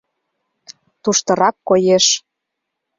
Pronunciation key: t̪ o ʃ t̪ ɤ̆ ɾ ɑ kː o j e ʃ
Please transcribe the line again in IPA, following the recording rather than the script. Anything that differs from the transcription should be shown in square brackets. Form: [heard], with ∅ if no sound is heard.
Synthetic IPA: t̪ [u] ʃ t̪ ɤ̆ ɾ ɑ kː o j e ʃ